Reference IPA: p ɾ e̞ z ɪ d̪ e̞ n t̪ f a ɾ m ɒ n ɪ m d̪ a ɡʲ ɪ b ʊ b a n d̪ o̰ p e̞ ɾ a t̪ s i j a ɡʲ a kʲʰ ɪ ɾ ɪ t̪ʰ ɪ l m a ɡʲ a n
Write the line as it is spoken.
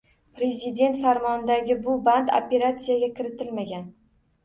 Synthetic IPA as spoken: p ɾ e̞ z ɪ d̪ e̞ n t̪ f a ɾ m ɒ n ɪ d̪ a ɡʲ ɪ b ʊ b a n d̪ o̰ p e̞ ɾ a t̪ s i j a ɡʲ a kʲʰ ɪ ɾ ɪ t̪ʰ ɪ l m a ɡʲ a n

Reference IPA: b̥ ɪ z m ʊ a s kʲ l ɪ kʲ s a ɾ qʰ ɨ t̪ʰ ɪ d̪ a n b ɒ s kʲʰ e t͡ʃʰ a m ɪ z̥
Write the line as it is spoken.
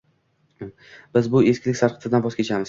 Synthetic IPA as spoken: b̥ ɪ z b ʊ e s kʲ l ɪ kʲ s a ɾ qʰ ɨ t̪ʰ ɪ d̪ a n b ɒ s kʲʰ e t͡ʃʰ a m ɪ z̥

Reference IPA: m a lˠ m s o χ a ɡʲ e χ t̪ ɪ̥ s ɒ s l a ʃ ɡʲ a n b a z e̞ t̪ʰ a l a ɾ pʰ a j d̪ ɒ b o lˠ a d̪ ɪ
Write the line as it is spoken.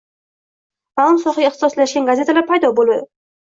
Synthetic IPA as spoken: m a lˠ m s ɒ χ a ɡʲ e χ t̪ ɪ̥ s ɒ s l a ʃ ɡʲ a n ɡ a z e̞ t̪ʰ a l a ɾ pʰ a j d̪ ɒ b o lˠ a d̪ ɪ

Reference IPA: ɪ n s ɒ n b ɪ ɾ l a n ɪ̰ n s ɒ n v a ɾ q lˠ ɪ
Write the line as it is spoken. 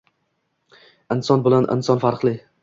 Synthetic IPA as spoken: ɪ n s ɒ n b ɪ l a n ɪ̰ n s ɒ n f a ɾ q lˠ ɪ

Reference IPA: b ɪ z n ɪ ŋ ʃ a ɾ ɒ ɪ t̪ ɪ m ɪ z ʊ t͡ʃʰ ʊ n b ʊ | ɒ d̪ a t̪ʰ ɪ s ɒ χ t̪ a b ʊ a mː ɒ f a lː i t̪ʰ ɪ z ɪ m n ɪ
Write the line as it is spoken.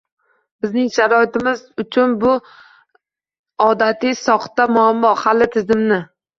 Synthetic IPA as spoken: b ɪ z n ɪ ŋ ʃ a ɾ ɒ ɪ t̪ ɪ m ɪ z ʊ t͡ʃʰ ʊ n b ʊ | ɒ d̪ a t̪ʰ ɪ s ɒ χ t̪ a m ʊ a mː ɒ h a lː ɪ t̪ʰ ɪ z ɪ m n ɪ

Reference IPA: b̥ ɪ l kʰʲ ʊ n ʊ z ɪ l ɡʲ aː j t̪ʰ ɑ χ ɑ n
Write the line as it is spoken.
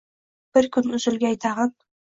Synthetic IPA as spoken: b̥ ɪ ɾ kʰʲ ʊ n ʊ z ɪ l ɡʲ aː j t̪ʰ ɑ ʁ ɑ n

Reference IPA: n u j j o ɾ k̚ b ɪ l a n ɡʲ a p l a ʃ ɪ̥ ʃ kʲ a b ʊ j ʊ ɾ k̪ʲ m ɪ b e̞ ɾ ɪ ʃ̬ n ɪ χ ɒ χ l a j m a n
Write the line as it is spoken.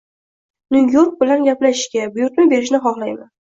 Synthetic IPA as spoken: n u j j o ɾ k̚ b ɪ l a n ɡʲ a p l a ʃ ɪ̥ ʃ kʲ a b ʊ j ʊ ɾ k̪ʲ m ɪ b e̞ ɾ ɪ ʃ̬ n ɪ χ ɒ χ l a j m a n

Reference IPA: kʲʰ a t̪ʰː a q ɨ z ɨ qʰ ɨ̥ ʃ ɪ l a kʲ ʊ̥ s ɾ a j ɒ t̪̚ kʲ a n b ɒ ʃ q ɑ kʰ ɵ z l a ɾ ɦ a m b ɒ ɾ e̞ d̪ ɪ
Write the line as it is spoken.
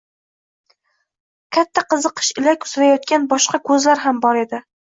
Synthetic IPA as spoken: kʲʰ a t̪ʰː a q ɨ z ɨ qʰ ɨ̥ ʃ ɪ l a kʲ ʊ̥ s ɾ a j ɒ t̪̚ kʲ a n b ɒ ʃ q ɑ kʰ ɵ z l a ɾ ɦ a m b ɒ ɾ e̞ d̪ ɪ

